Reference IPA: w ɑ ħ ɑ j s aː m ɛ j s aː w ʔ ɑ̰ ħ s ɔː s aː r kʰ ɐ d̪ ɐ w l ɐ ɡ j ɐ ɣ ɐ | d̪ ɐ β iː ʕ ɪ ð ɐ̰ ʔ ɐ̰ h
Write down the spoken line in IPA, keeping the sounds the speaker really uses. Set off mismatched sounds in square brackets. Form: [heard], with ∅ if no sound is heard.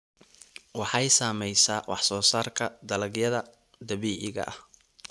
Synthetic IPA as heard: w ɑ ħ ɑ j s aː m ɛ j s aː w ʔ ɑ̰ ħ s ɔː s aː r kʰ ɐ d̪ ɐ [∅] l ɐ ɡ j ɐ [ð] ɐ | d̪ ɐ β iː ʕ ɪ [ɣ] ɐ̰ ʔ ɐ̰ h